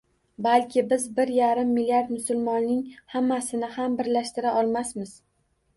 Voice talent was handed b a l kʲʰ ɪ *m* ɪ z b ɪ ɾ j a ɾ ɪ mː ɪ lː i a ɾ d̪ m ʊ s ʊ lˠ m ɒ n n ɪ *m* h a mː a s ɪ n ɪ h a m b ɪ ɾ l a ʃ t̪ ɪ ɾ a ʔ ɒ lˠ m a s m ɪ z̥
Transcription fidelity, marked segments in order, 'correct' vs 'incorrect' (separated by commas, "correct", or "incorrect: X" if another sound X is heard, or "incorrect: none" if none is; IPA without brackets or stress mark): incorrect: b, incorrect: ŋ